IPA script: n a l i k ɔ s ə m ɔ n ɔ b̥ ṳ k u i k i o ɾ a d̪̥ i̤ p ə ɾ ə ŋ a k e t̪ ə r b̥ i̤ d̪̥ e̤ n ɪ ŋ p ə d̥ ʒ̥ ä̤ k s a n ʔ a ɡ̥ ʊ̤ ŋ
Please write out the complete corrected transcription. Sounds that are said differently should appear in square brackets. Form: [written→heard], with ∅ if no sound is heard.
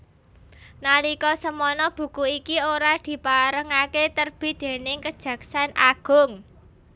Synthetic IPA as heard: n a l i k ɔ s ə m ɔ n ɔ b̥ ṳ k u i k i o ɾ a d̪̥ i̤ p [ə→a] ɾ ə ŋ a k e t̪ ə r b̥ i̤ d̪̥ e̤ n ɪ ŋ [p→k] ə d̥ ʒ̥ ä̤ k s a n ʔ a ɡ̥ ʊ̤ ŋ